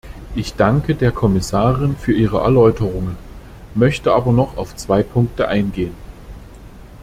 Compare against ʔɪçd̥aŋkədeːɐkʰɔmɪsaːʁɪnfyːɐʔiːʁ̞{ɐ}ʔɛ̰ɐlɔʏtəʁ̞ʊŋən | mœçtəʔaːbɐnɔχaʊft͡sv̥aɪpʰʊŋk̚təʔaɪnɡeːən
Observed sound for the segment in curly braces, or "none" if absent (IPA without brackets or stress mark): ə